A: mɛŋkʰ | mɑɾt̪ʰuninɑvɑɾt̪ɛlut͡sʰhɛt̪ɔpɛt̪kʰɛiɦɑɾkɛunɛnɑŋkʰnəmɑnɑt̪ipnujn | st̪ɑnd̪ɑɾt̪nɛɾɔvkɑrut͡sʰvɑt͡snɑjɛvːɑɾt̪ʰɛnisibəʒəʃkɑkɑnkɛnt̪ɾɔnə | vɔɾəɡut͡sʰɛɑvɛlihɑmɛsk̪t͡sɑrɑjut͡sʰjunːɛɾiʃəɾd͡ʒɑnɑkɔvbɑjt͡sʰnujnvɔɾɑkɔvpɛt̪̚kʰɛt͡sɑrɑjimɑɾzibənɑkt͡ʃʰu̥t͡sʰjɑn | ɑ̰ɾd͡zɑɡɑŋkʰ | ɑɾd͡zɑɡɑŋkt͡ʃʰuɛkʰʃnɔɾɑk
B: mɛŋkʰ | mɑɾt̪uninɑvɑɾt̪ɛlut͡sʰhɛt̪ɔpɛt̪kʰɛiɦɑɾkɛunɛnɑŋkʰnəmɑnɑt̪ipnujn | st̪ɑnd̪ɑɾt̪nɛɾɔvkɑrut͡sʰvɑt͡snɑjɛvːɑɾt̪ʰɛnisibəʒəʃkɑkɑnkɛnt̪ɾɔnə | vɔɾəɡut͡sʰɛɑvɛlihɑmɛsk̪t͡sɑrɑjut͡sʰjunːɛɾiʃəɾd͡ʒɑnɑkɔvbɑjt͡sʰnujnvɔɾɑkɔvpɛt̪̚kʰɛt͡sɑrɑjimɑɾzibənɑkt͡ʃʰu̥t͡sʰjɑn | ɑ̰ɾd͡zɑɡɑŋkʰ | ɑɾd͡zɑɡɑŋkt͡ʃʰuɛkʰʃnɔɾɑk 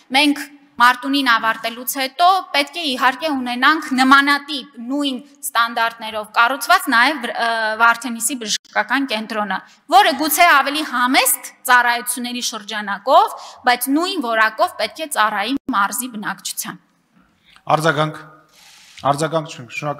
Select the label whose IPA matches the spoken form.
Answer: B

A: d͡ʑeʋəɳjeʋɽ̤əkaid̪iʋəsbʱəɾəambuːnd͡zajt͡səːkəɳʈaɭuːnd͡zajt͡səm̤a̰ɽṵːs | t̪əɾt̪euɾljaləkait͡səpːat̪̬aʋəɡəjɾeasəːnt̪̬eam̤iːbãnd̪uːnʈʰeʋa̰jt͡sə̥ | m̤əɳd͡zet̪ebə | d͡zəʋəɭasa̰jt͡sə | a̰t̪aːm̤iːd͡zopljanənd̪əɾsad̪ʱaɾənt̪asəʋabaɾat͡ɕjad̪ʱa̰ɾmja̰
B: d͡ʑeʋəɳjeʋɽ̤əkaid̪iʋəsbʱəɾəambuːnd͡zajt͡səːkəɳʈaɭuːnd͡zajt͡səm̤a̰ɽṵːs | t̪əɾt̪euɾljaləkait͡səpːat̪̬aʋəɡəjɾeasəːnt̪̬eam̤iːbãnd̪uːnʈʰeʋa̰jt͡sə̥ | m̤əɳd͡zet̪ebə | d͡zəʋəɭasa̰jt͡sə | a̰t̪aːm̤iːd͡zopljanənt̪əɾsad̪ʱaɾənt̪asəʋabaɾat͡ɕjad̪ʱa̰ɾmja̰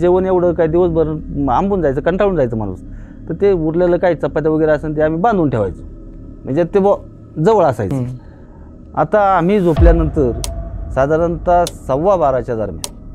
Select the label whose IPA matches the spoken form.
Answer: B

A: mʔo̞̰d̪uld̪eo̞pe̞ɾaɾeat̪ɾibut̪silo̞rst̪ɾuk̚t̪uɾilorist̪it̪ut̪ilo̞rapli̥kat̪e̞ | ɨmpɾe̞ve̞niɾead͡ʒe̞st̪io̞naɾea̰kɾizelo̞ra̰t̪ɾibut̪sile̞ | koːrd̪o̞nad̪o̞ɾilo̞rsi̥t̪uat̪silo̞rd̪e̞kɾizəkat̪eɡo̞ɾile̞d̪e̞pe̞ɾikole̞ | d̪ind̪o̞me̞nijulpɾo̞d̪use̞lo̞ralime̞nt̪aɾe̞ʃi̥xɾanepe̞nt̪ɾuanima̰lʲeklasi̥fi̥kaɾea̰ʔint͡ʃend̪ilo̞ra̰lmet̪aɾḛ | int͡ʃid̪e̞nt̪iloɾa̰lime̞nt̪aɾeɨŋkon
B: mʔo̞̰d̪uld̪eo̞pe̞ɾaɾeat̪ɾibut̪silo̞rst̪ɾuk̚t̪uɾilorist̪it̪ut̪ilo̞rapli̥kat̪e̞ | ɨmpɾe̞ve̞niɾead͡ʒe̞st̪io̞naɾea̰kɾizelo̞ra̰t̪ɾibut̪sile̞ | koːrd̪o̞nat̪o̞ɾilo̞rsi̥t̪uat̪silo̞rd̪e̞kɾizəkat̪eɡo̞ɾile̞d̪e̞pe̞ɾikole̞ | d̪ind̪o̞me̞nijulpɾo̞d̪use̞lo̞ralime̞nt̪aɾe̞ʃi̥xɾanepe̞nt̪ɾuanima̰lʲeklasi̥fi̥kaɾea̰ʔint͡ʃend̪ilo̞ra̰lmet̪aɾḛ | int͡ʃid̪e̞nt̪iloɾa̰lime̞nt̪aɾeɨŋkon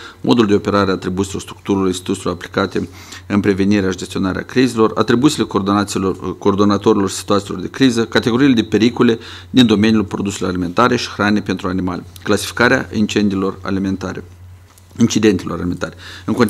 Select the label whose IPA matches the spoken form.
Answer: B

